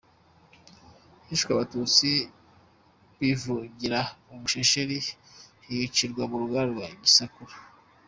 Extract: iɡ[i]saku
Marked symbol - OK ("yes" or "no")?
yes